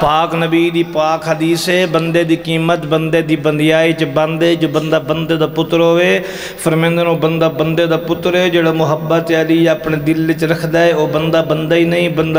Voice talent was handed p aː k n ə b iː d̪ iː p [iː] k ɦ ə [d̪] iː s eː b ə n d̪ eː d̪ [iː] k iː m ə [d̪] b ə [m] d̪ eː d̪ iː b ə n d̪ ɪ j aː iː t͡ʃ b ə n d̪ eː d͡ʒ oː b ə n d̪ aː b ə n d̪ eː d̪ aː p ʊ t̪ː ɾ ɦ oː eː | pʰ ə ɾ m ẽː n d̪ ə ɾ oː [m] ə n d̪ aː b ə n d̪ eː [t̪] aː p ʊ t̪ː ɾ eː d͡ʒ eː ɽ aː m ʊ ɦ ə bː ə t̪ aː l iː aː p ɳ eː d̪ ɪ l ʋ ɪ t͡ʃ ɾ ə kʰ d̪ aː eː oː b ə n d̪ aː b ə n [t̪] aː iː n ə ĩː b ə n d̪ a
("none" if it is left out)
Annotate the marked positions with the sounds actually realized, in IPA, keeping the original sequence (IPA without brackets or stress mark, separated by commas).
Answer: aː, d̪, iː, t̪, n, b, d̪, d̪